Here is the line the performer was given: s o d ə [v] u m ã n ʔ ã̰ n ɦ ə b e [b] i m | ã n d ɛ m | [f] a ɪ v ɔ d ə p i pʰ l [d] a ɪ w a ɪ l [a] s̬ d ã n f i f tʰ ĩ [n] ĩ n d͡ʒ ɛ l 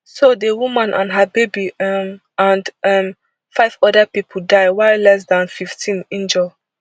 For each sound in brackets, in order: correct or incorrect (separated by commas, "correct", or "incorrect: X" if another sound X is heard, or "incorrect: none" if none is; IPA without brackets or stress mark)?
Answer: incorrect: w, correct, correct, correct, incorrect: ɛ, correct